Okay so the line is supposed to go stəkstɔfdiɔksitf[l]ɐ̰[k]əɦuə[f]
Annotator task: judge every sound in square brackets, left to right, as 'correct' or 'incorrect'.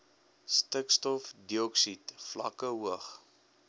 correct, correct, incorrect

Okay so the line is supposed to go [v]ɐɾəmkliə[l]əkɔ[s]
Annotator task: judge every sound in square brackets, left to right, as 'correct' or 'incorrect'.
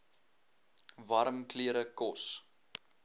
correct, incorrect, correct

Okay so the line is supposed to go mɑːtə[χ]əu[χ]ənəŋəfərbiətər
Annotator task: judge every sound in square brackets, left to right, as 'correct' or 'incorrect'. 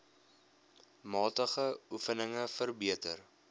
correct, incorrect

